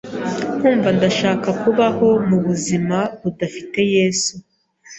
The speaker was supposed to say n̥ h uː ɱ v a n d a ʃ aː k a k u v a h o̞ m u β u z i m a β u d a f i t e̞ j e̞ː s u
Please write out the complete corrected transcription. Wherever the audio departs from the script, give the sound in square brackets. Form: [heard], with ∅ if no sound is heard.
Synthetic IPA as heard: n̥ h uː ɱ v a n d a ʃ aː k a k u [β] a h o̞ m u β u z i m a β u d a f i t e̞ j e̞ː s u